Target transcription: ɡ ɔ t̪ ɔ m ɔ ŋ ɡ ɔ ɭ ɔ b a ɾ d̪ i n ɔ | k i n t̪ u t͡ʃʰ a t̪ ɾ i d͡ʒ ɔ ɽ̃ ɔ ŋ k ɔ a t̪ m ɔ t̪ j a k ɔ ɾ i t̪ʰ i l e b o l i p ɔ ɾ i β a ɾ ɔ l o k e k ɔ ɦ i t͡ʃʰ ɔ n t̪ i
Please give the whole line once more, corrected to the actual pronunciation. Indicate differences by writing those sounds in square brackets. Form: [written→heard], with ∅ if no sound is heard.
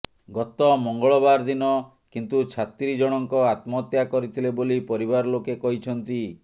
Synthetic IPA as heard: ɡ ɔ t̪ ɔ m ɔ ŋ ɡ ɔ ɭ ɔ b a ɾ d̪ i n ɔ | k i n t̪ u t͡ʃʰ a t̪ ɾ i d͡ʒ ɔ ɽ̃ ɔ ŋ k ɔ a t̪ m ɔ t̪ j a k ɔ ɾ i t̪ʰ i l e b o l i p ɔ ɾ i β a ɾ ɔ l o k e k ɔ ɦ i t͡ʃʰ ɔ n t̪ i

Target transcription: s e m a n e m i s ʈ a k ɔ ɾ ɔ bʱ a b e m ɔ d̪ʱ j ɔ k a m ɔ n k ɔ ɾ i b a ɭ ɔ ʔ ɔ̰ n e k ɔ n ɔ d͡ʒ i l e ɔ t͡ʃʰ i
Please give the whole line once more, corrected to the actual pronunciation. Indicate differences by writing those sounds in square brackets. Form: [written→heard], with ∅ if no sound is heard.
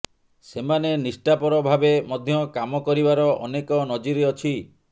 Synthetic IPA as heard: s e m a n e [m→n] i s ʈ a [k→p] ɔ ɾ ɔ bʱ a b e m ɔ d̪ʱ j ɔ k a m ɔ [n→∅] k ɔ ɾ i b a [ɭ→ɾ] ɔ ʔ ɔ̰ n e k ɔ n ɔ d͡ʒ i [l→ɾ] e ɔ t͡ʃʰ i

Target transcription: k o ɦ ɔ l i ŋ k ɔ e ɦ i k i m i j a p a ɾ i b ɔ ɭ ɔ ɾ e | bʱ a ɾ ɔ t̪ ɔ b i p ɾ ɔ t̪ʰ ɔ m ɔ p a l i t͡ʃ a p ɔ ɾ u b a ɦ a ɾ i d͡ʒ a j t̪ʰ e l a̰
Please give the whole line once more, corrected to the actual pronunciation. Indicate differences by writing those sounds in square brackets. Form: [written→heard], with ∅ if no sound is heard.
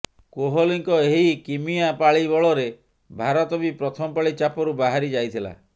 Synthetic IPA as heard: k o ɦ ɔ l i ŋ k ɔ e ɦ i k i m i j a p a [ɾ→ɭ] i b ɔ ɭ ɔ ɾ e | bʱ a ɾ ɔ t̪ ɔ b i p ɾ ɔ t̪ʰ ɔ m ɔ p a [l→ɭ] i t͡ʃ a p ɔ ɾ u b a ɦ a ɾ i d͡ʒ a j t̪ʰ [e→i] l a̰

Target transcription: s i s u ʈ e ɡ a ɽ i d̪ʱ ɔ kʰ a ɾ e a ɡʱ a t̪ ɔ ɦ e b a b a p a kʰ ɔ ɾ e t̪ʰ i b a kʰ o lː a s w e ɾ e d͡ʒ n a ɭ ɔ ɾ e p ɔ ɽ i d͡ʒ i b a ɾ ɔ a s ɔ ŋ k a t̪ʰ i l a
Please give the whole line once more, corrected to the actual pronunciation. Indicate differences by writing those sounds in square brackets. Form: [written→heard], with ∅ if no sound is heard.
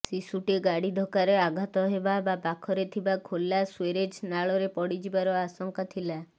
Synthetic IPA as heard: s i s u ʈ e ɡ a ɽ i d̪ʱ ɔ [kʰ→k] a ɾ e a ɡʱ a t̪ ɔ ɦ e b a b a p a kʰ ɔ ɾ e t̪ʰ i b a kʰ o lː a s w e ɾ e d͡ʒ n a ɭ ɔ ɾ e p ɔ ɽ i d͡ʒ i b a ɾ ɔ a s ɔ ŋ k a t̪ʰ i l a

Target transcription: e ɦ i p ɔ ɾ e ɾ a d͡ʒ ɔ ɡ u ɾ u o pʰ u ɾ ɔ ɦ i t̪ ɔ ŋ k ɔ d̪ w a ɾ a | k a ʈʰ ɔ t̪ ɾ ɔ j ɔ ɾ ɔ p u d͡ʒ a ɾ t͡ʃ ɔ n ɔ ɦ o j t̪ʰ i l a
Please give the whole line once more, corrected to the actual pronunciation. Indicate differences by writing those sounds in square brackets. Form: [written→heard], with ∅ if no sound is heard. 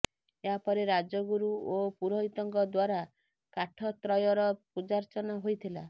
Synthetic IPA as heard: e ɦ [i→a] p ɔ ɾ e ɾ a d͡ʒ ɔ ɡ u ɾ u o [pʰ→p] u ɾ ɔ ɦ i t̪ ɔ ŋ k ɔ d̪ w a ɾ a | k a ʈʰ ɔ t̪ ɾ ɔ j ɔ ɾ ɔ p u d͡ʒ a ɾ t͡ʃ ɔ n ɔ ɦ o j t̪ʰ i l a

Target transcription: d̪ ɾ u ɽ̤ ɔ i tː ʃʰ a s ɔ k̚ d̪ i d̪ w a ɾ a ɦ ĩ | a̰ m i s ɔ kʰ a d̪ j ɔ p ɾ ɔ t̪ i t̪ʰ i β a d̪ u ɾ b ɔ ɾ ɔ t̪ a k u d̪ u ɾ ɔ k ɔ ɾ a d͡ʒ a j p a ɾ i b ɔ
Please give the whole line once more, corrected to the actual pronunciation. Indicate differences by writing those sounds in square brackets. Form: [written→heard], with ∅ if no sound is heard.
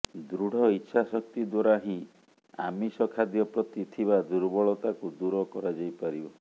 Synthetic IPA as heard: d̪ ɾ u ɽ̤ ɔ i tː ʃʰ a s ɔ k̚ [d̪→t̪] i d̪ w a ɾ a ɦ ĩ | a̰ m i s ɔ kʰ a d̪ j ɔ p ɾ ɔ t̪ i t̪ʰ i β a d̪ u ɾ b ɔ [ɾ→ɭ] ɔ t̪ a k u d̪ u ɾ ɔ k ɔ ɾ a d͡ʒ a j p a ɾ i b ɔ

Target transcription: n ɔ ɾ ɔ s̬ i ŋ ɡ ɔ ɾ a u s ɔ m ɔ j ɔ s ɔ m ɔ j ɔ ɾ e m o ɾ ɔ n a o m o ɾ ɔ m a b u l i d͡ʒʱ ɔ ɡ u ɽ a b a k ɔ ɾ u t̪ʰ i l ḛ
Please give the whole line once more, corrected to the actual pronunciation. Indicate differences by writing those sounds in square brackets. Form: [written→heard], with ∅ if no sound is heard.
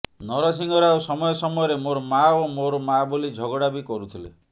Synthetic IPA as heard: n ɔ ɾ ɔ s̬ i ŋ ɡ ɔ ɾ a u s ɔ m ɔ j ɔ s ɔ m ɔ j ɔ ɾ e m o ɾ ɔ [n→m] a o m o ɾ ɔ m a b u l i d͡ʒʱ ɔ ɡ [u→ɔ] ɽ a b [a→i] k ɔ ɾ u t̪ʰ i l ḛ

